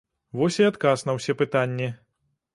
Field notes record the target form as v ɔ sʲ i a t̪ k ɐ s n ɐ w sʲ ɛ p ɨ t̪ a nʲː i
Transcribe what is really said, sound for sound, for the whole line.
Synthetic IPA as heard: v ɔ sʲ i a t̪ k a s n ɐ w sʲ ɛ p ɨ t̪ a nʲː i